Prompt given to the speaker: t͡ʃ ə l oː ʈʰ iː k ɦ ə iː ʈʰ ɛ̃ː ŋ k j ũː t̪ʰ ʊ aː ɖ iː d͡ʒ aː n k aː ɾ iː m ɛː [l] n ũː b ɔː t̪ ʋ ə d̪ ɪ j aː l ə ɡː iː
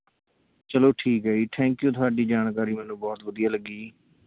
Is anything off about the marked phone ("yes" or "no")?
yes